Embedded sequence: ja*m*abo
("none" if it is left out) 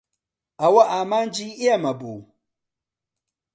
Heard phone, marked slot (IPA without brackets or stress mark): m